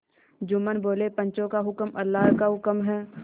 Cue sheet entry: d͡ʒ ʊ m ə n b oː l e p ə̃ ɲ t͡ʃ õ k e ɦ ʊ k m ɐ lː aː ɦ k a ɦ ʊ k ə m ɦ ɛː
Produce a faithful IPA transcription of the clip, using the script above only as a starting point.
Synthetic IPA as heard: d͡ʒ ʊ m ə n b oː l e p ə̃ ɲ t͡ʃ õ k a ɦ ʊ k m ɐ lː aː ɦ k a ɦ ʊ k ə m ɦ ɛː